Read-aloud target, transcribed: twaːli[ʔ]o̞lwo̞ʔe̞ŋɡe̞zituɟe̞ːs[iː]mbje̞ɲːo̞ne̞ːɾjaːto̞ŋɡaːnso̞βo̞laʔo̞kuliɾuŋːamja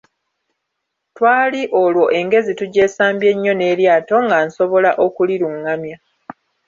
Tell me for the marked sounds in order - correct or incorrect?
correct, incorrect: aː

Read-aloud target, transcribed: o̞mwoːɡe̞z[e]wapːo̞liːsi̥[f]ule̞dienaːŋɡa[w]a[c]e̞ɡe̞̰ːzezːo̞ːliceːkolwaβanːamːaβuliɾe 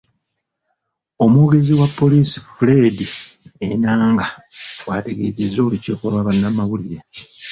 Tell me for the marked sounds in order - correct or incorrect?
incorrect: i, correct, correct, incorrect: t

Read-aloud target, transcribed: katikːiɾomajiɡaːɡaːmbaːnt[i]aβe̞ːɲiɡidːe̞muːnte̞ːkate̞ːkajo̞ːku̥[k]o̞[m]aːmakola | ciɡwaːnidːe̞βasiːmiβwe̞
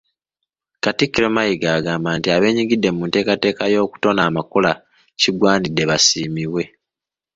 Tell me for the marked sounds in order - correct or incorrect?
correct, incorrect: t, incorrect: n

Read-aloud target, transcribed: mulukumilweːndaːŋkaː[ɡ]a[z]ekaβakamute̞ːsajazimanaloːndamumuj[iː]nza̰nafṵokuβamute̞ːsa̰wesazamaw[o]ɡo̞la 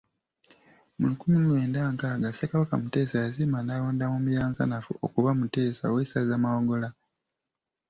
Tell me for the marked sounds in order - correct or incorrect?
correct, incorrect: s, incorrect: aː, correct

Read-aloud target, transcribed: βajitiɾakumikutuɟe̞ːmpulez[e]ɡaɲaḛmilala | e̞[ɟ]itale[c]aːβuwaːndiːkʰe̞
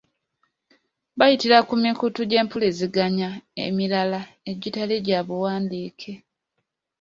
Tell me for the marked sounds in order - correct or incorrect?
incorrect: i, correct, incorrect: ɟ

